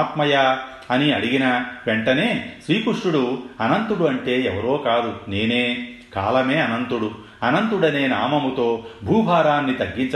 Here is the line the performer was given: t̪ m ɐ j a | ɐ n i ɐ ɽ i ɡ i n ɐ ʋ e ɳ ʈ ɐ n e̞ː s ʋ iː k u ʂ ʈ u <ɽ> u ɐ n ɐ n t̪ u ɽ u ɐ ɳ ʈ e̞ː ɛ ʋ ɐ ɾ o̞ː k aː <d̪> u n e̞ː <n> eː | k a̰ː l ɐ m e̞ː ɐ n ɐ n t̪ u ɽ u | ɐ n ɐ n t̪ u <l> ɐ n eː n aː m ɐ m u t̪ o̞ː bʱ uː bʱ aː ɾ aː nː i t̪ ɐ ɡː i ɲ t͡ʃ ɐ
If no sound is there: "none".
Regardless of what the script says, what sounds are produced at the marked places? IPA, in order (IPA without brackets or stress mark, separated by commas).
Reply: ɽ, d̪, n, ɽ